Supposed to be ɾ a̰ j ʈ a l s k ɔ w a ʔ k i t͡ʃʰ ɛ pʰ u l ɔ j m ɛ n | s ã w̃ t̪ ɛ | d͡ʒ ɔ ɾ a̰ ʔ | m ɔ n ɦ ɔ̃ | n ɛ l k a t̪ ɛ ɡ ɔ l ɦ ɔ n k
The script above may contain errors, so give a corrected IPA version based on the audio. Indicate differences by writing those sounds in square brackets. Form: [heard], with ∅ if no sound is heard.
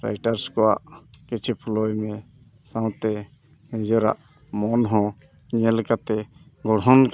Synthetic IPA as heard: ɾ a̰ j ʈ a [ɾ] s k ɔ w a ʔ k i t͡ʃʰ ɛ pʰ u l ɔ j m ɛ [∅] | s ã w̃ t̪ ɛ | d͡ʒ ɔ ɾ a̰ ʔ | m ɔ n ɦ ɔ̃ | [ɲ] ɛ l k a t̪ ɛ ɡ ɔ [ɽ] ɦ ɔ n k